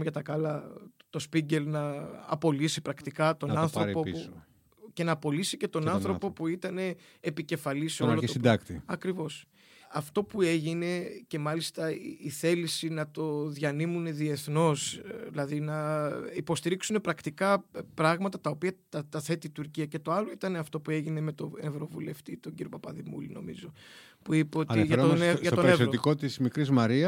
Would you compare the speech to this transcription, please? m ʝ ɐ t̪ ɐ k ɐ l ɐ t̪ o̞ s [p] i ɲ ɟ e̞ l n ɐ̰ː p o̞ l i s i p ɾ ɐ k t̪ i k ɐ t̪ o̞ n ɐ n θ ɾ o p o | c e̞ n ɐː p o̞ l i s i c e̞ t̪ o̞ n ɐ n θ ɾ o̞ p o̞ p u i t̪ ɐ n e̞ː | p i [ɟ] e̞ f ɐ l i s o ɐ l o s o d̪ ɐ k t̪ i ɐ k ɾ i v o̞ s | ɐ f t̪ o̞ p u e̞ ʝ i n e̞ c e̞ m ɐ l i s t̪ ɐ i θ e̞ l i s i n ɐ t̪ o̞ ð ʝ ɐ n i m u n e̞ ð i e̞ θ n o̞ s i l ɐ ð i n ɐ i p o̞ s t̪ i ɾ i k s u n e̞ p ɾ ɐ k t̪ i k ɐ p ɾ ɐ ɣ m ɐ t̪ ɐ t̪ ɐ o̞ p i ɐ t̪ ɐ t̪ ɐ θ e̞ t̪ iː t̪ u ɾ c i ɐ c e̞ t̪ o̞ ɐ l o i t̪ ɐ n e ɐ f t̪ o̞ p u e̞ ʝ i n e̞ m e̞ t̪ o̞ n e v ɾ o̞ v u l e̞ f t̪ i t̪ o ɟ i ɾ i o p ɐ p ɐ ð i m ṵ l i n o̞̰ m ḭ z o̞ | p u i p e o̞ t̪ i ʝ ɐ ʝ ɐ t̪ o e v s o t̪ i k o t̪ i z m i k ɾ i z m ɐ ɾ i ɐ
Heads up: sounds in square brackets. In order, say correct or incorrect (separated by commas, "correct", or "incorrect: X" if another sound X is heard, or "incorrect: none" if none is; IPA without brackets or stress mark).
correct, incorrect: c